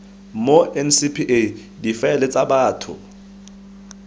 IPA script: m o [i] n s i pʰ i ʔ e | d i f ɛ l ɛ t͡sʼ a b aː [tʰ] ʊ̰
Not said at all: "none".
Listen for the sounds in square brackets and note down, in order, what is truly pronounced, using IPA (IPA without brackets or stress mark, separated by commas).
ɛ, tʰ